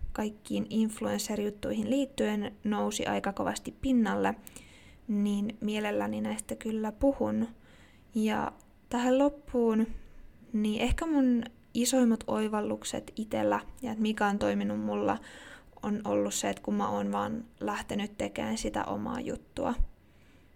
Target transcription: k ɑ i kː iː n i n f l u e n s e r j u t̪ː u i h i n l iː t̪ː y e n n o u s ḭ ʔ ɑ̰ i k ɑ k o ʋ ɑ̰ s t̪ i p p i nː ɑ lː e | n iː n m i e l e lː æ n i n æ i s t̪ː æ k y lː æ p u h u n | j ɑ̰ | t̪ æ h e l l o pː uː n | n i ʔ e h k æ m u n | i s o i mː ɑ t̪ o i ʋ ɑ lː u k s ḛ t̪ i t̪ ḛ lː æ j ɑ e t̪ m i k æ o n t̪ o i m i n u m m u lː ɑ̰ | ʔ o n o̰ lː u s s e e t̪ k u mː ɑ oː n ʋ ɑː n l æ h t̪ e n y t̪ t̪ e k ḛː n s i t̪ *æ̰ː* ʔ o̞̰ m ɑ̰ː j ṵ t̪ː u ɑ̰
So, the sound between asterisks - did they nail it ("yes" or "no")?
no